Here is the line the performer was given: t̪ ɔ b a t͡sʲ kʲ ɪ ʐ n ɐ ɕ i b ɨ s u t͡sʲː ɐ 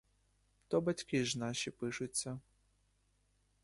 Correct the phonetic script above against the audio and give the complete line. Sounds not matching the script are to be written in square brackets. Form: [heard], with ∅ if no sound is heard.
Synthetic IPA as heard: t̪ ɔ b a t͡sʲ kʲ [i] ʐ n [a] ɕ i [p] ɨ [ʂ] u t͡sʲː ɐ